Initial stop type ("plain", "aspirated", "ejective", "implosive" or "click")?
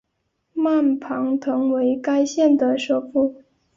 aspirated